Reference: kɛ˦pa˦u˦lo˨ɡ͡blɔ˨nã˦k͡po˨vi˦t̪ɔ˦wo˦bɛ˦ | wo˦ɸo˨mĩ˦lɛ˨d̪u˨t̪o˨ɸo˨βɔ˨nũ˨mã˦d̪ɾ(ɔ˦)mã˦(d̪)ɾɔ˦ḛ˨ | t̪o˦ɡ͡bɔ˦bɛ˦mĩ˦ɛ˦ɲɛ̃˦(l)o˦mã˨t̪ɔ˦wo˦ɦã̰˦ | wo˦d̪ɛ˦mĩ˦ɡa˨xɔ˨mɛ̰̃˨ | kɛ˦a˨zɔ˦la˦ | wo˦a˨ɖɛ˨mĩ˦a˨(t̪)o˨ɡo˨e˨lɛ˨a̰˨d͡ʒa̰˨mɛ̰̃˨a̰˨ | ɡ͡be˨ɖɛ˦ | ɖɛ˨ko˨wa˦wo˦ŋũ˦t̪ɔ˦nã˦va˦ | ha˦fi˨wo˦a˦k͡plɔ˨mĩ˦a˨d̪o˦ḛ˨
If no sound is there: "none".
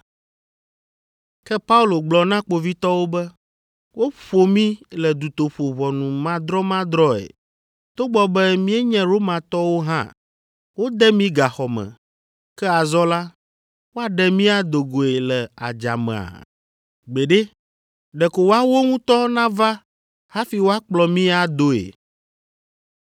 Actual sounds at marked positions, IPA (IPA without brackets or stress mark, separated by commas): ɔ˦, d̪, ɾ, d̪